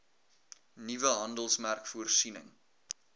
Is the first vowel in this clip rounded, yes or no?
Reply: no